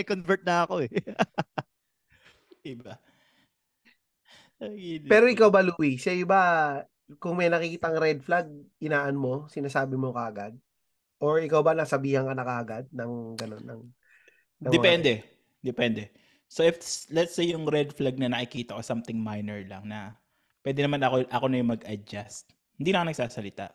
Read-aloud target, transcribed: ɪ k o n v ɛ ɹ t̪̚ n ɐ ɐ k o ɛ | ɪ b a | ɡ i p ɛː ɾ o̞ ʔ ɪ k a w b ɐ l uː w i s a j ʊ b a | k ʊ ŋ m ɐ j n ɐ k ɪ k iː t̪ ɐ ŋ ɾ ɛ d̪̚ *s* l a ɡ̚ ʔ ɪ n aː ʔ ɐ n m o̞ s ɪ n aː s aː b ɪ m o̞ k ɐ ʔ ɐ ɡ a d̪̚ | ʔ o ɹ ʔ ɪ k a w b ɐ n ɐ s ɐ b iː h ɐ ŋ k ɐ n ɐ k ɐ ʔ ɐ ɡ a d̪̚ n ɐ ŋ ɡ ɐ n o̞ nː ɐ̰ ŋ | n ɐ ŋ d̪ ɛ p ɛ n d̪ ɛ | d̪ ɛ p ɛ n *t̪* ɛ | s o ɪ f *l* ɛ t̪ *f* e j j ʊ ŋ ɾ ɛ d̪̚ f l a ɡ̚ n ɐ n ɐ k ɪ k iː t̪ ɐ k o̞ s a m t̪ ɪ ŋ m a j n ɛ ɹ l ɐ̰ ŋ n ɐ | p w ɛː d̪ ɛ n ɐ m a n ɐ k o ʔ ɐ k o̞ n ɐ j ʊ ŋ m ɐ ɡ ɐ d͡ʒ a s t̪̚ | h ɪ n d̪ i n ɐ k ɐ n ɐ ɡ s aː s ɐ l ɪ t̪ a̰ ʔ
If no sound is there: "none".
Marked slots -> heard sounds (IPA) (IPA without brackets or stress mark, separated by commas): f, d̪, l, s